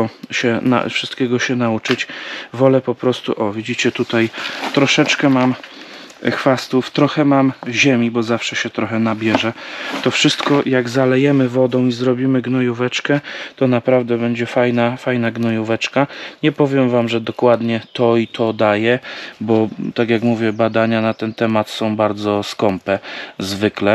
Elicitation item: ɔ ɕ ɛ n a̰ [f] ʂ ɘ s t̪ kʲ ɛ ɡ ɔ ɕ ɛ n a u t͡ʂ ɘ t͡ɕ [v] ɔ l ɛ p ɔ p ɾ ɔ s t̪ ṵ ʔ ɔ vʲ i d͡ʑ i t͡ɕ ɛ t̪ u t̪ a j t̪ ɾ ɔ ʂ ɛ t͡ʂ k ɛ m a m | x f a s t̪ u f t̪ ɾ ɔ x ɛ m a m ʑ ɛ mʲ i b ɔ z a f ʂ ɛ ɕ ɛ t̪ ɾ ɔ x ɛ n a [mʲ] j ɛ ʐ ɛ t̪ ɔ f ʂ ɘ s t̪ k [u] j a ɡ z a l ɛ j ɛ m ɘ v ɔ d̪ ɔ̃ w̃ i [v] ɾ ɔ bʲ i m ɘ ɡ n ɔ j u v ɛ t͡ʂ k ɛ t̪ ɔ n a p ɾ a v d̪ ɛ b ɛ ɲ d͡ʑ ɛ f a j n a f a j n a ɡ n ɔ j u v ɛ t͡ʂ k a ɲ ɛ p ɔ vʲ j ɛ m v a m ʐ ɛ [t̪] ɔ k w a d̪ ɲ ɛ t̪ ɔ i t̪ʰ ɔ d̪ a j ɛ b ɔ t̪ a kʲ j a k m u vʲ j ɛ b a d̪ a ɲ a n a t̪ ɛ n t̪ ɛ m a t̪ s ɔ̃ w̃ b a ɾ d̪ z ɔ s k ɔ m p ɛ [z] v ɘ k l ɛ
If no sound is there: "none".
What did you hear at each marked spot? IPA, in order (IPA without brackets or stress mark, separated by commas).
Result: f, v, bʲ, ɔ, z, d̪, z